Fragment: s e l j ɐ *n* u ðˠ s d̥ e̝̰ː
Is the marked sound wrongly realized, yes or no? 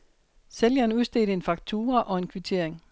no